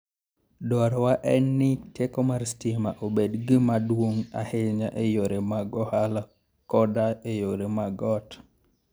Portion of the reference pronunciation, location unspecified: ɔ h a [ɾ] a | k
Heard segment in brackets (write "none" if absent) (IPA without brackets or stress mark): l